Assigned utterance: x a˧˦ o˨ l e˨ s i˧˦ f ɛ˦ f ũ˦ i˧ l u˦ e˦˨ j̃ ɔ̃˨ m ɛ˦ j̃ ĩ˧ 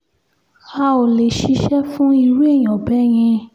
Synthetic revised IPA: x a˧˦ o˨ l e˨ ʃ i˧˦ ʃ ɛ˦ f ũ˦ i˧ ɾ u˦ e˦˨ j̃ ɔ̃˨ b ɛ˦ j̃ ĩ˧